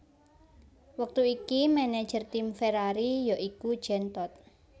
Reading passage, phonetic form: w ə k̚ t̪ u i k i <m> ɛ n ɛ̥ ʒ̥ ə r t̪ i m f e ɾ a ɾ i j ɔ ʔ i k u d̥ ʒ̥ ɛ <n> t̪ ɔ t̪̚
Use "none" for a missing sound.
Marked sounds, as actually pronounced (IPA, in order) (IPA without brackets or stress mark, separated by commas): m, n